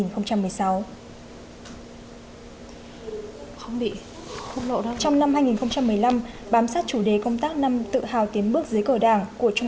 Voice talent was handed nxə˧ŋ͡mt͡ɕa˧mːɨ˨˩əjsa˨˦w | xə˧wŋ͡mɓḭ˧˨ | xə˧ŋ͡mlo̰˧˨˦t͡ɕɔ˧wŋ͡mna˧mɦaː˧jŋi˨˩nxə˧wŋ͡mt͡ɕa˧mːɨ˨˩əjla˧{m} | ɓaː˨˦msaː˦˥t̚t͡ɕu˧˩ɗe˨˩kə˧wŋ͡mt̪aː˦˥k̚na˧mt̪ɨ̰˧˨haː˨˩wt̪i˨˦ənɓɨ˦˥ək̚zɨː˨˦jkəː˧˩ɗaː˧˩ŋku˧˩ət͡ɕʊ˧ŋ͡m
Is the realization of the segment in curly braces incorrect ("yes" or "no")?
no